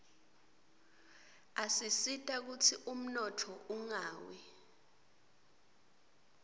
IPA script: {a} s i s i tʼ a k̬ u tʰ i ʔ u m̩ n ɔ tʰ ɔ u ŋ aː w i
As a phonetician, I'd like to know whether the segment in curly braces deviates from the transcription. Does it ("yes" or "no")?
no